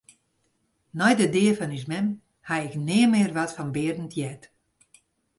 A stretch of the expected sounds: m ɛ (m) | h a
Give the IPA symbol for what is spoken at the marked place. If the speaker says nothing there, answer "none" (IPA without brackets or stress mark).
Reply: m